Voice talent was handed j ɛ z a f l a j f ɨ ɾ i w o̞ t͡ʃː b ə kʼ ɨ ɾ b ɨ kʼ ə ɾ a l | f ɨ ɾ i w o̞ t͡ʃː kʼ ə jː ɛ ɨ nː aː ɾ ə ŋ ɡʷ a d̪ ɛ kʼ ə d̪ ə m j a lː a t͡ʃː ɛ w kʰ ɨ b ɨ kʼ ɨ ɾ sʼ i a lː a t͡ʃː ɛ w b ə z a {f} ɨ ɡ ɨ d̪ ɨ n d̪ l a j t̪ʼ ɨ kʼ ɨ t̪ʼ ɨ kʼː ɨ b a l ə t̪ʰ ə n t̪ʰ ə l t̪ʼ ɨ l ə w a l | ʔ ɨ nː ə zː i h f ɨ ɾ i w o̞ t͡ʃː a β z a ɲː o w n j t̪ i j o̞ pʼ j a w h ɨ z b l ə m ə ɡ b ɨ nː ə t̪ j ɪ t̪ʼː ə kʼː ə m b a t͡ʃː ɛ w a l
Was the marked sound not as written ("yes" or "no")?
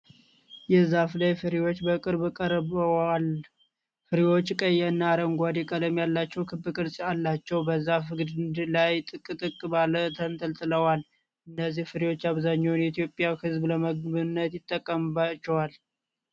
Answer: no